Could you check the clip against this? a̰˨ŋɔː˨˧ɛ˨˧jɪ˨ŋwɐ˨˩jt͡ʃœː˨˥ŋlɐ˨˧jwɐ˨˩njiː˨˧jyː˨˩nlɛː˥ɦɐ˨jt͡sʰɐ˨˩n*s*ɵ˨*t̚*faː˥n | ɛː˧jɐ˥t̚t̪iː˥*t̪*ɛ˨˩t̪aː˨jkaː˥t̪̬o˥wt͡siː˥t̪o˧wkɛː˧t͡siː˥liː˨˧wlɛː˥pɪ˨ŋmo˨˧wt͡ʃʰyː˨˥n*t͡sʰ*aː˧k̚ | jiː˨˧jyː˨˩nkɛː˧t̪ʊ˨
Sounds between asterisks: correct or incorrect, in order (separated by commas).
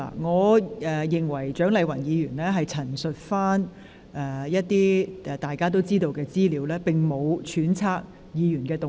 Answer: correct, correct, incorrect, correct